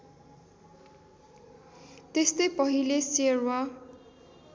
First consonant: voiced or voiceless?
voiceless